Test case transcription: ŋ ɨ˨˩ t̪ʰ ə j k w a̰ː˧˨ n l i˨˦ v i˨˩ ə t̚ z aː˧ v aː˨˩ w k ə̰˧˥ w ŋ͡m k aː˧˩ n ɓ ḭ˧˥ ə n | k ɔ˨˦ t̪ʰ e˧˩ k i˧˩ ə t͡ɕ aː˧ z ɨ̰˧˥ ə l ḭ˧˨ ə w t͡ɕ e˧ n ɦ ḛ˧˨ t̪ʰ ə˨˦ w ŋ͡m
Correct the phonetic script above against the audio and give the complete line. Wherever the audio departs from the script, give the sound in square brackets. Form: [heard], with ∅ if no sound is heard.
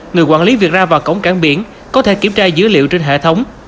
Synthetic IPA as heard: ŋ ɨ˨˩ [∅] ə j k w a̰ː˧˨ n l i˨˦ v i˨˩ ə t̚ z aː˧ v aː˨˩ w k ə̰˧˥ w ŋ͡m k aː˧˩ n ɓ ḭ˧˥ ə n | k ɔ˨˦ t̪ʰ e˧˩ k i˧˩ ə t͡ɕ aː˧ z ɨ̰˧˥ ə l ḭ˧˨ ə w t͡ɕ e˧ n ɦ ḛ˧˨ t̪ʰ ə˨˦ w ŋ͡m

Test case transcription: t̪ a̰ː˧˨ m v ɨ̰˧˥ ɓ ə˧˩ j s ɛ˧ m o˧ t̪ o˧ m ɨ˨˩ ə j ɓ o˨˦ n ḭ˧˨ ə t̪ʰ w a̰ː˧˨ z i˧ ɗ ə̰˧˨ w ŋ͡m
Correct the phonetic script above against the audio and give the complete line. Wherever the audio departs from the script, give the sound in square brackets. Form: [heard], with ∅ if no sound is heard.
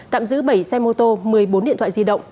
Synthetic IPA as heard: t̪ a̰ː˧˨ m [z] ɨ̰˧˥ ɓ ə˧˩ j s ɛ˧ m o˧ t̪ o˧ m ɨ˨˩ ə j ɓ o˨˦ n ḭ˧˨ ə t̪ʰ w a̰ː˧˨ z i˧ ɗ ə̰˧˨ w ŋ͡m

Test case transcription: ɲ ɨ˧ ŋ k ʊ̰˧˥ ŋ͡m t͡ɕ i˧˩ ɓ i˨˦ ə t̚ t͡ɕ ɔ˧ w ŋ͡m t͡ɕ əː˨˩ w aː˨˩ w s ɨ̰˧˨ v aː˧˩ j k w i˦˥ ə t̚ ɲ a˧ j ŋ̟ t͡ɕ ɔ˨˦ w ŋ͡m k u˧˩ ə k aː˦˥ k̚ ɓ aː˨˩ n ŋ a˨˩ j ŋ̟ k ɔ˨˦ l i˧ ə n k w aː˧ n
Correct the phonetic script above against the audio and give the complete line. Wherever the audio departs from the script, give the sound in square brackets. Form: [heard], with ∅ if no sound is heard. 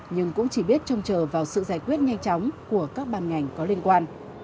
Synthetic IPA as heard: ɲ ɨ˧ ŋ k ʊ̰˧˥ ŋ͡m t͡ɕ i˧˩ ɓ [i˦˥] ə t̚ t͡ɕ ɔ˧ w ŋ͡m t͡ɕ əː˨˩ [v] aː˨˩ w s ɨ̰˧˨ [z] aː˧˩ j k w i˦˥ ə t̚ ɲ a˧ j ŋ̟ t͡ɕ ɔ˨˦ w ŋ͡m k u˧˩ ə k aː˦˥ k̚ ɓ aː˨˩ n ŋ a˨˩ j ŋ̟ k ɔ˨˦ l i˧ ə n k w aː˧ n

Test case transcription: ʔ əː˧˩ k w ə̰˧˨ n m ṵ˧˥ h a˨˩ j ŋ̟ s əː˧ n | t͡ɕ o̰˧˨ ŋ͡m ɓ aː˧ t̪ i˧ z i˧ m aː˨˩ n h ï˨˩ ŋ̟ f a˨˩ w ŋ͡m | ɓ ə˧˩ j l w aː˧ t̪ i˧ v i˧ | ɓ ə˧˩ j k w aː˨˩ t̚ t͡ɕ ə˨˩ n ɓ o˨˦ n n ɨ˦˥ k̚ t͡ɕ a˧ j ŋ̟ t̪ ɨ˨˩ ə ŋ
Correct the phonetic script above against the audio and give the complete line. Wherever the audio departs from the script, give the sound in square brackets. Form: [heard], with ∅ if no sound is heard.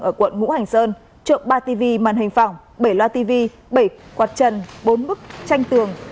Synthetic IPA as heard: ʔ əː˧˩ k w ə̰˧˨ n [ŋ] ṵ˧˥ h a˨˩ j ŋ̟ s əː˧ n | t͡ɕ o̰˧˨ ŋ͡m ɓ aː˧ t̪ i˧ [v] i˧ m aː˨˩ n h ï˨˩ ŋ̟ f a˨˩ w ŋ͡m | ɓ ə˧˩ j l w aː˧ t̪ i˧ v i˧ | ɓ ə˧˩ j k w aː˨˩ t̚ t͡ɕ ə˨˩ n ɓ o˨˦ n [m] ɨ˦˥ k̚ t͡ɕ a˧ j ŋ̟ t̪ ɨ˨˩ ə ŋ

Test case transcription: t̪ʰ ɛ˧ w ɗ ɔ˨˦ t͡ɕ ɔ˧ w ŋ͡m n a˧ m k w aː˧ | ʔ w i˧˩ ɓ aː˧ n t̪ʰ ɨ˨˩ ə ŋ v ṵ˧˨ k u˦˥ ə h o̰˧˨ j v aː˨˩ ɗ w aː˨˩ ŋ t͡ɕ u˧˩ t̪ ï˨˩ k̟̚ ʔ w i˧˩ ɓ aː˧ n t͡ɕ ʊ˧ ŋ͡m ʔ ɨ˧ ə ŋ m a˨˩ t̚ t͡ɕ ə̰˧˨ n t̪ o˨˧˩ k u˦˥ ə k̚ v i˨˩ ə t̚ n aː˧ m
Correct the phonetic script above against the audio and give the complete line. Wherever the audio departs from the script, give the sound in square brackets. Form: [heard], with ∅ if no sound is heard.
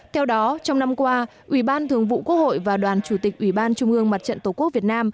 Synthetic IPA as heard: t̪ʰ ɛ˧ w ɗ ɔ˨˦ t͡ɕ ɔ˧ w ŋ͡m n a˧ m k w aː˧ | ʔ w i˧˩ ɓ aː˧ n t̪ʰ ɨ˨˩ ə ŋ v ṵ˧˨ k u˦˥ ə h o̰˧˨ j v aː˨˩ ɗ w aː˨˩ [n] t͡ɕ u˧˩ t̪ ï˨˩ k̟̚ ʔ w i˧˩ ɓ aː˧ n t͡ɕ ʊ˧ ŋ͡m ʔ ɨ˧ ə ŋ m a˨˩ t̚ t͡ɕ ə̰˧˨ n t̪ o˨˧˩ k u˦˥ ə k̚ v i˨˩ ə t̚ n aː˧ m

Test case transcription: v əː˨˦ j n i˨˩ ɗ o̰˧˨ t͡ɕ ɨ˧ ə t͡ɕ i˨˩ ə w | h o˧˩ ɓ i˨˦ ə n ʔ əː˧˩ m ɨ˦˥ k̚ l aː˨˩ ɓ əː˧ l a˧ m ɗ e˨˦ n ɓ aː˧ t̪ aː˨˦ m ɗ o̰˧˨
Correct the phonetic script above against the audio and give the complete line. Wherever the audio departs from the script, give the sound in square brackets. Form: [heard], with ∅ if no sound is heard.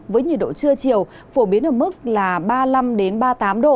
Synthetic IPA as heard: v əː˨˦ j [ɲ] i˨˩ ɗ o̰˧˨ t͡ɕ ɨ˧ ə t͡ɕ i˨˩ ə w | [f] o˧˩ ɓ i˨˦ ə n ʔ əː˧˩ m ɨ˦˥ k̚ l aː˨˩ ɓ [aː˧] l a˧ m ɗ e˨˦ n ɓ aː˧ t̪ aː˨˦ m ɗ o̰˧˨

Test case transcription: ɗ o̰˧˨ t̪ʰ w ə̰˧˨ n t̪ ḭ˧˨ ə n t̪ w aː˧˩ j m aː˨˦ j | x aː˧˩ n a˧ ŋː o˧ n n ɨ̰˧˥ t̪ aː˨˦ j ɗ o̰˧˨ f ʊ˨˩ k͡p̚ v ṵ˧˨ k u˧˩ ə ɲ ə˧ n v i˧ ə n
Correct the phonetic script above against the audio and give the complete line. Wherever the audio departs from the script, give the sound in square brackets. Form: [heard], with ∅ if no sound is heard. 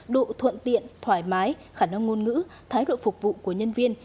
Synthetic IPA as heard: ɗ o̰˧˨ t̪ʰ w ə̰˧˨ n t̪ ḭ˧˨ ə n [t̪ʰ] w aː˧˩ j m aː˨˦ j | x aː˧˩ n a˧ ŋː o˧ n [ŋ] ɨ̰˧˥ [t̪ʰ] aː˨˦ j ɗ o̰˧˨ f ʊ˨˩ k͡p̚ v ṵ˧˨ k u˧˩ ə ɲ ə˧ n v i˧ ə n

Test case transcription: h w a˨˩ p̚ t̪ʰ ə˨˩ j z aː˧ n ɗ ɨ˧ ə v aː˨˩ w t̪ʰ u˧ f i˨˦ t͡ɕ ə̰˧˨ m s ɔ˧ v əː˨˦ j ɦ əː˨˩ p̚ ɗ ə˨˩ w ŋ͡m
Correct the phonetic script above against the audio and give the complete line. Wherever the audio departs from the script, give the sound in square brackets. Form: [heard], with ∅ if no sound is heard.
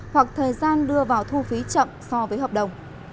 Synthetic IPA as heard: h w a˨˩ [k̚] t̪ʰ [əː˨˩] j z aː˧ n ɗ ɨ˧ ə v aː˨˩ w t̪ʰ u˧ f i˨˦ t͡ɕ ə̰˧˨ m s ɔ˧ v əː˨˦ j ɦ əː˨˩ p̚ ɗ ə˨˩ w ŋ͡m

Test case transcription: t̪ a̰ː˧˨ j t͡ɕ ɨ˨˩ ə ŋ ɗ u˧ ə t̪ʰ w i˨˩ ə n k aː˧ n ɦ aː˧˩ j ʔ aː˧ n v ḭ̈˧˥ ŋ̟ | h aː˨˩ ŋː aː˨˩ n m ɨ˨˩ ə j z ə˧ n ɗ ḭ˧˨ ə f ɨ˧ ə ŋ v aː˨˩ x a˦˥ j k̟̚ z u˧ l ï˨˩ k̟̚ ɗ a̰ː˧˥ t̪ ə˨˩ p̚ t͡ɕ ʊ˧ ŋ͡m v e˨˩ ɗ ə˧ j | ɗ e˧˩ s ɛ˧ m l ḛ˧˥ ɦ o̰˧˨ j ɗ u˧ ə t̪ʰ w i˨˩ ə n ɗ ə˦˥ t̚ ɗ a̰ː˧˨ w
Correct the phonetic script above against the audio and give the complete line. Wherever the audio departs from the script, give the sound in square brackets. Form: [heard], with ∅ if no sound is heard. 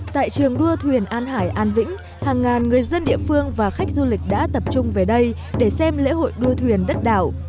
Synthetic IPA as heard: t̪ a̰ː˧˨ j t͡ɕ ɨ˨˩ ə ŋ ɗ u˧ ə t̪ʰ w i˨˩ ə n [ʔ] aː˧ n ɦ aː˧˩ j ʔ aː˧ n v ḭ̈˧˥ ŋ̟ | h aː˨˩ ŋː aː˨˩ n [ŋ] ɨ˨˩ ə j z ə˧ n ɗ ḭ˧˨ ə f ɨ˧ ə ŋ v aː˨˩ x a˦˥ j k̟̚ z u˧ l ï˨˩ k̟̚ ɗ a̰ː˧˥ t̪ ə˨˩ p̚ t͡ɕ ʊ˧ ŋ͡m v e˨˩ ɗ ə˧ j | ɗ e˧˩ s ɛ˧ m l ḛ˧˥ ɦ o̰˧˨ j ɗ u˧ ə t̪ʰ w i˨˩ ə n ɗ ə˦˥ t̚ ɗ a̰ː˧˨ w

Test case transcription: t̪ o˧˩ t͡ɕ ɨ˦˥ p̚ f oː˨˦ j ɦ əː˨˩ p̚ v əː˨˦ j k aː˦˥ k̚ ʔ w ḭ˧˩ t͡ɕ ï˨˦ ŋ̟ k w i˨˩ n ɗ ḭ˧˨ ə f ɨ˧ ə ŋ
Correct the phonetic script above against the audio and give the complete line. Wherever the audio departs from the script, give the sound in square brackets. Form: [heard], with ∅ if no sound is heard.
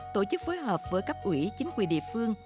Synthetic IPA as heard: t̪ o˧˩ t͡ɕ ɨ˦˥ [k̚] f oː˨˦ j ɦ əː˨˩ p̚ v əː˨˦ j k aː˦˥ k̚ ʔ w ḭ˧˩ t͡ɕ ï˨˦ ŋ̟ k w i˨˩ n ɗ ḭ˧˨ ə f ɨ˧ ə ŋ

